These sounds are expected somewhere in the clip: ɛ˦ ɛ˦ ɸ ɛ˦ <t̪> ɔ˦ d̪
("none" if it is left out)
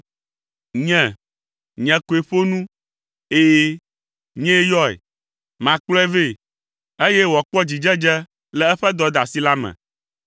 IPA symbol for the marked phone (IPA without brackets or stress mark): d̪